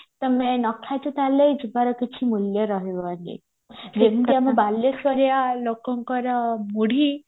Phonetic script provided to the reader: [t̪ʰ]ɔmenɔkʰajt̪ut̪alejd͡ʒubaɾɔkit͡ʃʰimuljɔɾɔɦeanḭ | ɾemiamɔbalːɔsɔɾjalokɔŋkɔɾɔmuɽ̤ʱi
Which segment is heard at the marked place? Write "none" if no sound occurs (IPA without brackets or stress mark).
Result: t̪